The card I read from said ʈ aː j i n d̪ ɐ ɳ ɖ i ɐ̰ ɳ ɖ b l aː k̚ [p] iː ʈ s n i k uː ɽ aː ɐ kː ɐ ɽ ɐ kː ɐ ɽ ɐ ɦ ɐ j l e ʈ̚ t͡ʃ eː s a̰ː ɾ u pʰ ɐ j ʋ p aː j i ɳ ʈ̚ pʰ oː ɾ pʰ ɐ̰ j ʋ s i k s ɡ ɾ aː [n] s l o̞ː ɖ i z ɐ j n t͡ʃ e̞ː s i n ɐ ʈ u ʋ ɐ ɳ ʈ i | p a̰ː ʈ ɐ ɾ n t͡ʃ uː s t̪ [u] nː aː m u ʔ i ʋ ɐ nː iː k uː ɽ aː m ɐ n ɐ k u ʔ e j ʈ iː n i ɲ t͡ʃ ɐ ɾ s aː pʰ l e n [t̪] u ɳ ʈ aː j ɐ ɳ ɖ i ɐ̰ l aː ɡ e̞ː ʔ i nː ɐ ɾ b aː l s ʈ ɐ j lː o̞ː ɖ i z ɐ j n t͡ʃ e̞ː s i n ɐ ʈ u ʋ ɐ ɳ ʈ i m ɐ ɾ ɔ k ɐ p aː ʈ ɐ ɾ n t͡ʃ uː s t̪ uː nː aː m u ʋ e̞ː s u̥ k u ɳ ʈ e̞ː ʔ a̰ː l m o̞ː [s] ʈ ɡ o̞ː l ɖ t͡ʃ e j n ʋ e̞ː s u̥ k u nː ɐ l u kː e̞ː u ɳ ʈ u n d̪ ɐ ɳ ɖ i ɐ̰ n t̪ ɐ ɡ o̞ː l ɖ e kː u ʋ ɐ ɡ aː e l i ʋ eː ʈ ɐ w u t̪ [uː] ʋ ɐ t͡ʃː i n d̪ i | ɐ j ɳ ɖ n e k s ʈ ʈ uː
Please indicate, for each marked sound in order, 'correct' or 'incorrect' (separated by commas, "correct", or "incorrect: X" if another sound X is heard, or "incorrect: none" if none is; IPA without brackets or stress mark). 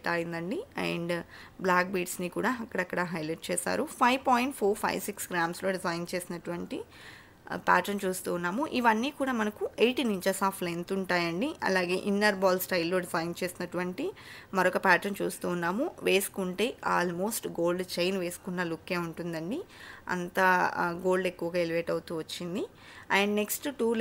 incorrect: b, incorrect: m, incorrect: uː, correct, correct, correct